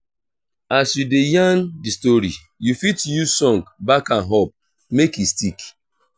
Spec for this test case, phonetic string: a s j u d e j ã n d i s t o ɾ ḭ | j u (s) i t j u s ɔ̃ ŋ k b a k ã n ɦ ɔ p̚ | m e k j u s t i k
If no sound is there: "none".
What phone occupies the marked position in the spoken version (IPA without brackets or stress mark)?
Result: f